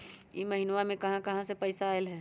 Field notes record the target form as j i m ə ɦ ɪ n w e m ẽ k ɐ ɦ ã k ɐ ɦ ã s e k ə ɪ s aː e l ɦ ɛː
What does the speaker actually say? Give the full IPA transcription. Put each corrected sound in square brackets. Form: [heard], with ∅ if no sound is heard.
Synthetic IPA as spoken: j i m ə ɦ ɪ n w [a] m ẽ k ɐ ɦ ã k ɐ ɦ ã s e [p] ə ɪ s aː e l ɦ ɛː

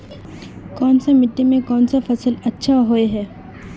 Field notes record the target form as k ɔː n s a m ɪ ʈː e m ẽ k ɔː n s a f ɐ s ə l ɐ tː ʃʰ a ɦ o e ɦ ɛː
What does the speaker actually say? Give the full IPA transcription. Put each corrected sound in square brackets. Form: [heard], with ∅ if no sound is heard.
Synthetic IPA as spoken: k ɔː n s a m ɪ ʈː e m ẽ k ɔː n s a f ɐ s ə l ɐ tː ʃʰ a ɦ o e ɦ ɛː

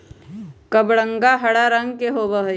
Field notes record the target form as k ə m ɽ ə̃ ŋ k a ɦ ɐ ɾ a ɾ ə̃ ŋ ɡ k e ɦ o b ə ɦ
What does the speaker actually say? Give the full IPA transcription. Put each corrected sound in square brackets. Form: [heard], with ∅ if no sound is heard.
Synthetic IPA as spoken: k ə [b] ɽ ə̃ ŋ [ɡ] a ɦ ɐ [ɽ] a ɾ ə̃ ŋ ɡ k e ɦ o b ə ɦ

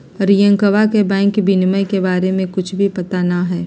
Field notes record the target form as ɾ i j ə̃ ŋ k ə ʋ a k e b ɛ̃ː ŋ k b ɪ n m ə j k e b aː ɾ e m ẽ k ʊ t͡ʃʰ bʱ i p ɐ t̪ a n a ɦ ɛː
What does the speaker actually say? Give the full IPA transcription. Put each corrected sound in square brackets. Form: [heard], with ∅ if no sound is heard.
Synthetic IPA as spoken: ɾ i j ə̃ ŋ k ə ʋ a k e b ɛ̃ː ŋ k b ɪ n m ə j k e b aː ɾ e m ẽ k ʊ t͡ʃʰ bʱ i p ɐ t̪ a n a ɦ ɛː

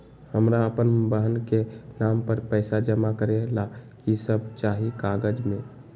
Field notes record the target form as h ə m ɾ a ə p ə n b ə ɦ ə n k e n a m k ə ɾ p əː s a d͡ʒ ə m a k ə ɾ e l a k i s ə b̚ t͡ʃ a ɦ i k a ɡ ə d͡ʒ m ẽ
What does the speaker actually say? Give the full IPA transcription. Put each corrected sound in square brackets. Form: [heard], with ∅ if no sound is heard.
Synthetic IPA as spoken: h ə m ɾ a ə p ə n b ə ɦ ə n k e n a m [p] ə ɾ p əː s a d͡ʒ ə m a k ə ɾ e l a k i s ə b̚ t͡ʃ a ɦ i k a ɡ ə d͡ʒ m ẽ

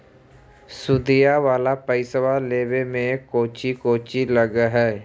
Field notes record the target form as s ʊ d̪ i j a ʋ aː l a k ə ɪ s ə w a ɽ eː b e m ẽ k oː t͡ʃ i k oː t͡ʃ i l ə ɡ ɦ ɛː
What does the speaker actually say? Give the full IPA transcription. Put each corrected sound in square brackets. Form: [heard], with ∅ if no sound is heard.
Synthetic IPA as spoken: s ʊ d̪ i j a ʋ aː l a [p] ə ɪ s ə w a [l] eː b e m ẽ k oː t͡ʃ i k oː t͡ʃ i l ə ɡ ɦ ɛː

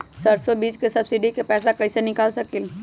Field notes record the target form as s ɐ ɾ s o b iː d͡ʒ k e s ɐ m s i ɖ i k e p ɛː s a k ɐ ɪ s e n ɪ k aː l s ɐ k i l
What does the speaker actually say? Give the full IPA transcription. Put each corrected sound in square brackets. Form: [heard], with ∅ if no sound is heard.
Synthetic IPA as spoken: s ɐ ɾ s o b iː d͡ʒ k e s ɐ [b] s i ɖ i k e p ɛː s a k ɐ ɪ s e n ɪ k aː l s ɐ k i l

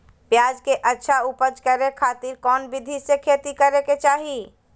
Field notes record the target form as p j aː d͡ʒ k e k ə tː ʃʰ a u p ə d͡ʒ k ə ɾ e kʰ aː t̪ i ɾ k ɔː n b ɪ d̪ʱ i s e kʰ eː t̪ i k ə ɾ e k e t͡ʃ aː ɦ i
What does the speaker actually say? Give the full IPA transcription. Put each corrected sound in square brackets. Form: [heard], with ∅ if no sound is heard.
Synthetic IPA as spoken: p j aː d͡ʒ k e [ʔ] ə tː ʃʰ a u p ə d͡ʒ k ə ɾ e kʰ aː t̪ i ɾ k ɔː n b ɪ d̪ʱ i s e kʰ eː t̪ i k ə ɾ e k e t͡ʃ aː ɦ i

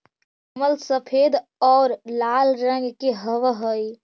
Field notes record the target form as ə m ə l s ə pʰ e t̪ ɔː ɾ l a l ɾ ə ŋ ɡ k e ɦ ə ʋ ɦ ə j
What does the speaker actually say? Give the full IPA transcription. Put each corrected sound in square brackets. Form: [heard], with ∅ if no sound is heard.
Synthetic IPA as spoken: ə m ə l s ə pʰ e [d̪] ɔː ɾ l a l ɾ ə ŋ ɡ k e ɦ ə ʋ ɦ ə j

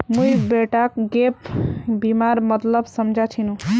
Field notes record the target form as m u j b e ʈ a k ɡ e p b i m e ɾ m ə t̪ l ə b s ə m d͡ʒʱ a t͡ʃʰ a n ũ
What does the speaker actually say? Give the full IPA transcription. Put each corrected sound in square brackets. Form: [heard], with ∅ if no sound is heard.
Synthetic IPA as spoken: m u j b e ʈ a k ɡ e p b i m [a] ɾ m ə t̪ l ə b s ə m d͡ʒʱ a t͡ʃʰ [i] n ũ

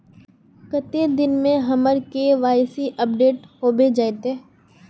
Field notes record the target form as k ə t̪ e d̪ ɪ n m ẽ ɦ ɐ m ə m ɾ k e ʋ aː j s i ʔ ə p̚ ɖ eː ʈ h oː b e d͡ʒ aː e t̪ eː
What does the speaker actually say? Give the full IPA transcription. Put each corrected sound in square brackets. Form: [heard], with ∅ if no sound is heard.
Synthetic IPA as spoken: k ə t̪ e d̪ ɪ n m ẽ ɦ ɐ m ə [∅] ɾ k e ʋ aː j s i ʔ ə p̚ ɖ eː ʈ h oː b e d͡ʒ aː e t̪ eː

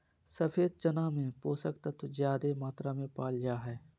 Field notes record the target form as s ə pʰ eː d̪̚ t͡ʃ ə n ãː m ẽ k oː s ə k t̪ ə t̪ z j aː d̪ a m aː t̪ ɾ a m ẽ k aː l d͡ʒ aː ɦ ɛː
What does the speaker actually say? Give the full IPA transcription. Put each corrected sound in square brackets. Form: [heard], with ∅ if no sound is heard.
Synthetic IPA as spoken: s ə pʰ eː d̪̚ t͡ʃ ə n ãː m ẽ [p] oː s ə k t̪ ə t̪ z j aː d̪ [e] m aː t̪ ɾ a m ẽ [p] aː l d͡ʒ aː ɦ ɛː

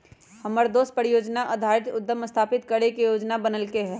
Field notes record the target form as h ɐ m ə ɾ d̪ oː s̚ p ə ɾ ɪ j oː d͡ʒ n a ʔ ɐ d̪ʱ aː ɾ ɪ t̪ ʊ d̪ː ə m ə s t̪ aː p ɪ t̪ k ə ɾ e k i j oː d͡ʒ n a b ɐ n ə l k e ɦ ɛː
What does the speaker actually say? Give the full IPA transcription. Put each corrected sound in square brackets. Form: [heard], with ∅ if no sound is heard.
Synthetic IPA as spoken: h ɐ m ə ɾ d̪ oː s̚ p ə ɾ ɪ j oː d͡ʒ n a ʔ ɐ d̪ʱ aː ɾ ɪ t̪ ʊ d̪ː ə m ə s [t̪ʰ] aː p ɪ t̪ k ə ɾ e k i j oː d͡ʒ n a b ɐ n ə l k e ɦ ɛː

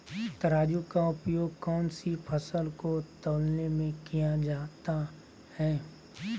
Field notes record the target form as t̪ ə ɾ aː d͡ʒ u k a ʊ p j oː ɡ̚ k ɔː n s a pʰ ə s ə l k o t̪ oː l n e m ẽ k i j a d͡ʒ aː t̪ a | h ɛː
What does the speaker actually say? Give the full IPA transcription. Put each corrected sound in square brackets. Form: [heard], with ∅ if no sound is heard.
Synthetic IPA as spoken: t̪ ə ɾ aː d͡ʒ u k a ʊ p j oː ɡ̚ k ɔː n s [i] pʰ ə s ə l k o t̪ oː l n e m ẽ k i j a d͡ʒ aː t̪ a | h ɛː

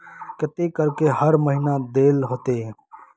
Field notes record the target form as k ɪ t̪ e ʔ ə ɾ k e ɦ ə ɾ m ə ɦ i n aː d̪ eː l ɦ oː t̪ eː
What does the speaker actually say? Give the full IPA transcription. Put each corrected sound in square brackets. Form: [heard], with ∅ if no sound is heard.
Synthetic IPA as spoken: k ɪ t̪ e [k] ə ɾ k e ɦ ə ɾ m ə ɦ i n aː d̪ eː l ɦ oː t̪ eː

